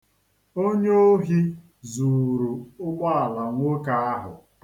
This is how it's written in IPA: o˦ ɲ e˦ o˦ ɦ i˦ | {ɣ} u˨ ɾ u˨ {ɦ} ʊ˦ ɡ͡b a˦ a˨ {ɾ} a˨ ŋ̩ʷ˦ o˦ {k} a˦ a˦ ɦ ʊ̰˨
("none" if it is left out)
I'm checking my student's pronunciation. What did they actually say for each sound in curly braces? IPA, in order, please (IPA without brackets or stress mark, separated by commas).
z, none, l, k